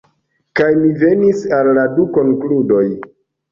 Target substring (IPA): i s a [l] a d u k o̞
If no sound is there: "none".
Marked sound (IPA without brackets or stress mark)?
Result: lː